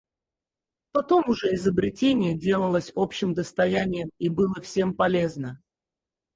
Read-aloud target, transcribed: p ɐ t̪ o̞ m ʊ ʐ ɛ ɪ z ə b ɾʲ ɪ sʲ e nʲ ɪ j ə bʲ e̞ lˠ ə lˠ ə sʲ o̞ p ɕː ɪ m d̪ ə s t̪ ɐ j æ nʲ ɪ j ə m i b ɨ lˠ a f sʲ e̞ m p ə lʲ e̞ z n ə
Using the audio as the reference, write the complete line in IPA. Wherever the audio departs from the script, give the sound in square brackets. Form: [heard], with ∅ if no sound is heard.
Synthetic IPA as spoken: p ɐ t̪ o̞ m ʊ ʐ ɛ ɪ z ə b ɾʲ ɪ [tʲ] e nʲ ɪ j ə [dʲ] e̞ lˠ ə lˠ ə sʲ o̞ p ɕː ɪ m d̪ ə s t̪ ɐ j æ nʲ ɪ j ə m i b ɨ lˠ [ə] f sʲ e̞ m p [ɐ] lʲ e̞ z n ə